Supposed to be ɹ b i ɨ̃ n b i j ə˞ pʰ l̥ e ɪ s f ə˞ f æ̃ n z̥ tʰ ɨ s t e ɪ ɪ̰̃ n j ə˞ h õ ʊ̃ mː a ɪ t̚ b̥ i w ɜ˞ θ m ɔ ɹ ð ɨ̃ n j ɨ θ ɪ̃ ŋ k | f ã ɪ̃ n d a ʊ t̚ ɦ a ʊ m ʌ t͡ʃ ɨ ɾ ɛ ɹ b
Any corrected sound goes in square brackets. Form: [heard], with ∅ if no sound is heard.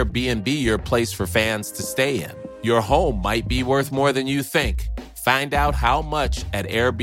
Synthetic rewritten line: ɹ b i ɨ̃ n b i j ə˞ pʰ l̥ e ɪ s f ə˞ f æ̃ n z̥ tʰ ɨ s t e ɪ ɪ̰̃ n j ə˞ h õ ʊ̃ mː a ɪ t̚ b̥ i w ɜ˞ θ m ɔ ɹ ð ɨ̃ n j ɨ θ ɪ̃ ŋ k | f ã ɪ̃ n d a ʊ t̚ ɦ a ʊ m ʌ t͡ʃ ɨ ɾ ɛ ɹ b